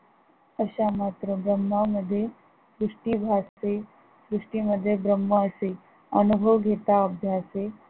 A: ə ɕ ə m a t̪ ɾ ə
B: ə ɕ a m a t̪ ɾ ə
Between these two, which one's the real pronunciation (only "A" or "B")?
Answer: B